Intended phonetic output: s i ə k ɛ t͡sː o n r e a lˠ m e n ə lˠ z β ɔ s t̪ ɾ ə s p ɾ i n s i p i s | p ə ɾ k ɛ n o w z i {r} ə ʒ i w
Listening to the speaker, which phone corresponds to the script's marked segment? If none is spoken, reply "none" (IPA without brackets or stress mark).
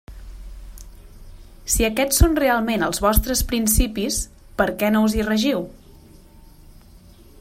r